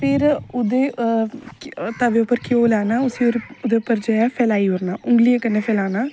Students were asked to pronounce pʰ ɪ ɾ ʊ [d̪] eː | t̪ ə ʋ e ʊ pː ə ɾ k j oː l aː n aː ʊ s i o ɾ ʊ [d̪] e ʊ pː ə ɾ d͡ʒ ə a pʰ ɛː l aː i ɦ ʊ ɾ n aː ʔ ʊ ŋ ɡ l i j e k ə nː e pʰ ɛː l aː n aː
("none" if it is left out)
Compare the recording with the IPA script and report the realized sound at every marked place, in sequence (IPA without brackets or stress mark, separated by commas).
d̪, d̪